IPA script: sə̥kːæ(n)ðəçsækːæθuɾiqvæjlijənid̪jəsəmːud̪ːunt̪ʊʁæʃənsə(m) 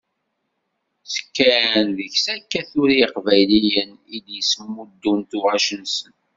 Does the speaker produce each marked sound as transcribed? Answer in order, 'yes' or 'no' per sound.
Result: yes, no

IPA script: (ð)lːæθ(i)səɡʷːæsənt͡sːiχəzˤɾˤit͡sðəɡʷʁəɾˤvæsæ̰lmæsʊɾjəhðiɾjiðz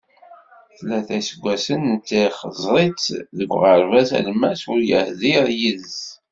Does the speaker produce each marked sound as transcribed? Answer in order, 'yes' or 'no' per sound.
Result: no, no

